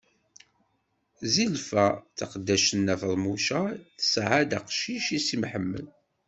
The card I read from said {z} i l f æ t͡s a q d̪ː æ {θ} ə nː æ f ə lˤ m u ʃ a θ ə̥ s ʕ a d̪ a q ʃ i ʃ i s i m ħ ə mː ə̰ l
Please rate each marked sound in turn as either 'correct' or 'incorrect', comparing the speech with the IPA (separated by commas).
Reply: correct, incorrect